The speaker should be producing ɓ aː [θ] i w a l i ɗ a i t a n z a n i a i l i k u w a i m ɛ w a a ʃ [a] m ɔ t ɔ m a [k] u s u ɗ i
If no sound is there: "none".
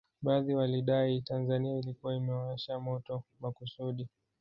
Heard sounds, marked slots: ð, a, k

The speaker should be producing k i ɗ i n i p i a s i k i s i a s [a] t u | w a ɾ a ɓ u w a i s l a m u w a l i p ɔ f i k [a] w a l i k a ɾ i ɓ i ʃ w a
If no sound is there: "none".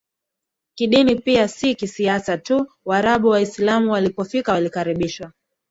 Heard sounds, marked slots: a, a

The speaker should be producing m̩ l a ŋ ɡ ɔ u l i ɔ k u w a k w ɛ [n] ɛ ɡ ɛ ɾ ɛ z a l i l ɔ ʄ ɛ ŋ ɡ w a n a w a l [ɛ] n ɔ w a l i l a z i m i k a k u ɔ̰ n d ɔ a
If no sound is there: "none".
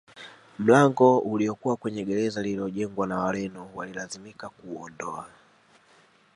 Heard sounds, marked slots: ɲ, ɛ

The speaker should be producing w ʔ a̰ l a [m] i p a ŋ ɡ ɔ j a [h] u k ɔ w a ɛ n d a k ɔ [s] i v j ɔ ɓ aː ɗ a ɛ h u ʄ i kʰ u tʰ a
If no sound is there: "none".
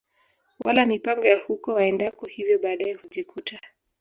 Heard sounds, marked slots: m, h, h

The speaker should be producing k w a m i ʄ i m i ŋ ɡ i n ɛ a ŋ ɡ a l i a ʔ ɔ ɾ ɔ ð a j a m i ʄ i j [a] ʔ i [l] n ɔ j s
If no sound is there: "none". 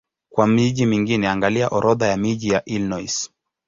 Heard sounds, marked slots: a, l

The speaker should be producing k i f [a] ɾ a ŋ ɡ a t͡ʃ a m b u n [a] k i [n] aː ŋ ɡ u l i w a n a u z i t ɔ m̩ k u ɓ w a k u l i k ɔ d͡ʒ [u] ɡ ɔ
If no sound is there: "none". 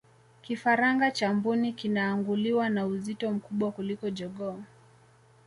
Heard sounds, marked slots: a, i, n, ɔ

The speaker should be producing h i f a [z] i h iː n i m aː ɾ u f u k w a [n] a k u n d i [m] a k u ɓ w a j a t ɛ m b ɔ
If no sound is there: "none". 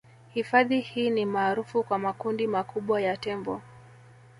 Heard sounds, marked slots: ð, m, m

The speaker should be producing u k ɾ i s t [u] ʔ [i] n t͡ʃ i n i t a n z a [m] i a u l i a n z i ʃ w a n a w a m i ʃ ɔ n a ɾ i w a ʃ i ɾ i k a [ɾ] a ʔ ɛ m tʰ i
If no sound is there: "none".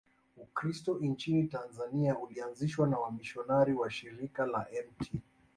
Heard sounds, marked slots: ɔ, i, n, l

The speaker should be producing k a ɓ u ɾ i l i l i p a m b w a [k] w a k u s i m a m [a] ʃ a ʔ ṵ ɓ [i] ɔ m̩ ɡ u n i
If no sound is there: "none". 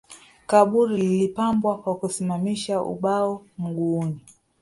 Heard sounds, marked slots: k, i, a

